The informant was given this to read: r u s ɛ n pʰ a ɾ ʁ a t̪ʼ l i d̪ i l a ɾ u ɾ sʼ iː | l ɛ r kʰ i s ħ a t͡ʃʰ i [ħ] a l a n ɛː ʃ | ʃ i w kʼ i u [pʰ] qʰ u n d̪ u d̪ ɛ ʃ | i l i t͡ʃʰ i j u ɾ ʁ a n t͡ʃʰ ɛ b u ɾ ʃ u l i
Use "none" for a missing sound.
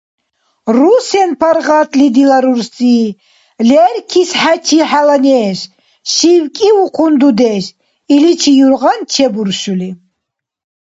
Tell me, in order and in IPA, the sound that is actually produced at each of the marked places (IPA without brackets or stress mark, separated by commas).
ħ, none